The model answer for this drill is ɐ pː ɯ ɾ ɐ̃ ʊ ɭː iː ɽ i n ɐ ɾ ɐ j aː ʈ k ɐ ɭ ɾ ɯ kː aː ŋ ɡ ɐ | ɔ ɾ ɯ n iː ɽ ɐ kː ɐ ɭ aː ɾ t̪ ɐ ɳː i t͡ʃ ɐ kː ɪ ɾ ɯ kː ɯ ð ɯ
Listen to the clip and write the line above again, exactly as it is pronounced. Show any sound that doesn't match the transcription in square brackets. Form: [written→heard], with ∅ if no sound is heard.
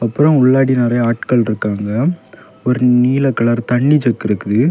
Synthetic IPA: ɐ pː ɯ ɾ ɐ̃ ʊ ɭː [iː→aː] ɽ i n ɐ ɾ ɐ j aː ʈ k ɐ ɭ ɾ ɯ kː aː ŋ ɡ ɐ | ɔ ɾ ɯ n iː [ɽ→l] ɐ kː ɐ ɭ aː ɾ t̪ ɐ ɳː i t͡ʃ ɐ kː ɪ ɾ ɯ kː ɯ ð ɯ